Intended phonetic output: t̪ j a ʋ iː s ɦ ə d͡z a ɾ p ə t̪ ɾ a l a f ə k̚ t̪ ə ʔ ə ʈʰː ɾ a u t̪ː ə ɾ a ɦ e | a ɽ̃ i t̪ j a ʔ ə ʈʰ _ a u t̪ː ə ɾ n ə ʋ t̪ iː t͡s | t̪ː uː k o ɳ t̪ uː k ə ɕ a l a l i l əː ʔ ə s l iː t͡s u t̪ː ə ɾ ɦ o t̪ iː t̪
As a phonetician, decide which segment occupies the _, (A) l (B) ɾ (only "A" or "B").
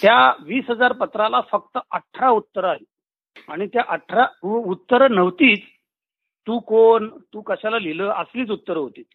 B